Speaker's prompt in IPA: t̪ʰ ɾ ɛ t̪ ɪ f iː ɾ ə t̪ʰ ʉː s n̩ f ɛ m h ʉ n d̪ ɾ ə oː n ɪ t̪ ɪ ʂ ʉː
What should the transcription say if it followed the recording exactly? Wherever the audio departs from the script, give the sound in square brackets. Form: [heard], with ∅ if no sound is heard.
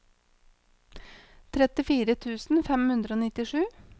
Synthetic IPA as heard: t̪ʰ ɾ ɛ t̪ ɪ f iː ɾ ə t̪ʰ ʉː s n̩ f ɛ m h ʉ n d̪ ɾ ə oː n ɪ t̪ ɪ ʂ ʉː